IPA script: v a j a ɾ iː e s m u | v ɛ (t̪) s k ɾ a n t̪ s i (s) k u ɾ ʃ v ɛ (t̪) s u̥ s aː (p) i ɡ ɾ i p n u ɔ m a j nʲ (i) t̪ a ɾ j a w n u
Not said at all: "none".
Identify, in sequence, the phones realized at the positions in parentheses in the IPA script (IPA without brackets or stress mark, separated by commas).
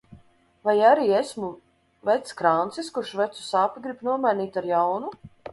t̪, s, t̪, p, iː